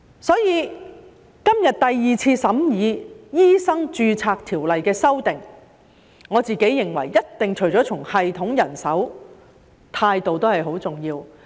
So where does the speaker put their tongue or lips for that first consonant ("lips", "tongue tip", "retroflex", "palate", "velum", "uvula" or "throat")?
tongue tip